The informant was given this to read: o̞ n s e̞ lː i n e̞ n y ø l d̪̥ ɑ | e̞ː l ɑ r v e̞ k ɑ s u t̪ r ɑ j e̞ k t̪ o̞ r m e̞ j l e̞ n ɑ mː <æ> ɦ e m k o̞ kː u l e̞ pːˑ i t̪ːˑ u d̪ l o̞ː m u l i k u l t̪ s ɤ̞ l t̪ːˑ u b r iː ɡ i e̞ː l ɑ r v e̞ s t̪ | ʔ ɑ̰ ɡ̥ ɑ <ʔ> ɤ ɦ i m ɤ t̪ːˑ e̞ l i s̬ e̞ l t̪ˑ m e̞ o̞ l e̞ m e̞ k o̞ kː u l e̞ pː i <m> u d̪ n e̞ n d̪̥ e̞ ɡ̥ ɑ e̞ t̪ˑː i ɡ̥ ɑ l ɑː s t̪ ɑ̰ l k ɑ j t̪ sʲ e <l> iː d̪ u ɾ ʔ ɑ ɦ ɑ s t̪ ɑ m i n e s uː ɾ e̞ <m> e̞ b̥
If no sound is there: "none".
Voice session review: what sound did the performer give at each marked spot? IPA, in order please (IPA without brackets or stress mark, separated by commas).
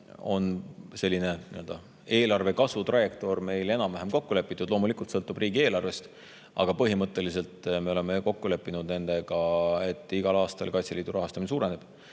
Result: æ, p, n, l, n